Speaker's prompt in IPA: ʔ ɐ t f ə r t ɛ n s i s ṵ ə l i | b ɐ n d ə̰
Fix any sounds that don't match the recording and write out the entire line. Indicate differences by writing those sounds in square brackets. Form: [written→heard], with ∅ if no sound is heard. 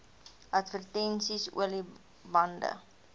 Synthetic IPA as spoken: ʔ ɐ t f ə r t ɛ n s i s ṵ ə l i | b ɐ n d ə̰